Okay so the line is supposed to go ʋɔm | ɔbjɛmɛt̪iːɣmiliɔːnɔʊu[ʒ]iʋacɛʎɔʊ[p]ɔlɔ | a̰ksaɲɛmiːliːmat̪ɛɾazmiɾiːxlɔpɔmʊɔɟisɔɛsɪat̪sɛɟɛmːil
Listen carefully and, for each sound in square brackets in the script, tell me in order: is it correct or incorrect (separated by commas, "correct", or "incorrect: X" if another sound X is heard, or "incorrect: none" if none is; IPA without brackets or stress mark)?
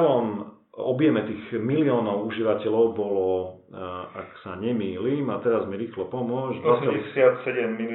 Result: correct, incorrect: b